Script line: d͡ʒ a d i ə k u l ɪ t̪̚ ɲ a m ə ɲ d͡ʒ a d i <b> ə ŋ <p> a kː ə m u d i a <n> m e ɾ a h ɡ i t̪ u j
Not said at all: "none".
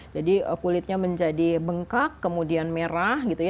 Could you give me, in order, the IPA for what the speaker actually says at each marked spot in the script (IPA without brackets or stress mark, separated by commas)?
b, k, n